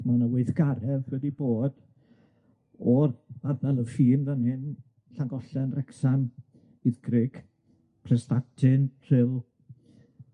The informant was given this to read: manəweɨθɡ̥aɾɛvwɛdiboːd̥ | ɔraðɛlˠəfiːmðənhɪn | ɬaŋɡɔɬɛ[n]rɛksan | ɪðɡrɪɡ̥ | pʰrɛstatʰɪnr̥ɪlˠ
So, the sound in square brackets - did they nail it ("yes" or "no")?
yes